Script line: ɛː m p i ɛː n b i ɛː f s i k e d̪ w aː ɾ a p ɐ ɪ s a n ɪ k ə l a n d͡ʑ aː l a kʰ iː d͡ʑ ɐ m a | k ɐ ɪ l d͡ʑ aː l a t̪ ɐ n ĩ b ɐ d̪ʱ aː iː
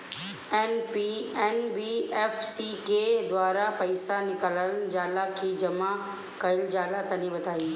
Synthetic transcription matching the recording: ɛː n p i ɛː n b i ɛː f s i k e d̪ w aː ɾ a p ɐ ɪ s a n ɪ k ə l ə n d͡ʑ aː l a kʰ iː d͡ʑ ɐ m a | k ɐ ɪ l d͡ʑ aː l a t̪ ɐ n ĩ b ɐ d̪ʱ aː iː